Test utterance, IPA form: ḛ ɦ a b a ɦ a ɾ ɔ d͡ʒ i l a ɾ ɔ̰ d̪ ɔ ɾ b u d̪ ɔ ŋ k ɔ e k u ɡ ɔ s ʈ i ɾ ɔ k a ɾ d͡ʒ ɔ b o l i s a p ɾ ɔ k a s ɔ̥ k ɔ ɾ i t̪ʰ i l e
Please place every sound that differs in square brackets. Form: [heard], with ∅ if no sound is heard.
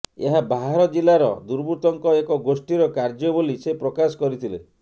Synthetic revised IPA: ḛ ɦ a b a ɦ a ɾ ɔ d͡ʒ i l a ɾ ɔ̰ d̪ [u] ɾ b u [t̪] ɔ ŋ k ɔ e k [ɔ] ɡ [o] s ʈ i ɾ ɔ k a ɾ d͡ʒ ɔ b o l i s [e] p ɾ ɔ k a s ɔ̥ k ɔ ɾ i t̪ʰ i l e